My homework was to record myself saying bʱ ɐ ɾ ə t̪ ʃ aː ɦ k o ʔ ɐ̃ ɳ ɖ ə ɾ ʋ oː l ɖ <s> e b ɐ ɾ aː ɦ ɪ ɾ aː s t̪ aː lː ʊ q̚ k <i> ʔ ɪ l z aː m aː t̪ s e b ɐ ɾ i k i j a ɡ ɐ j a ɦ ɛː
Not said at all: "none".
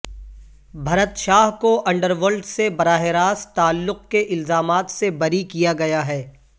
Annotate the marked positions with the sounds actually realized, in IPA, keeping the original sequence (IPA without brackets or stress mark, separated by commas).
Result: s, e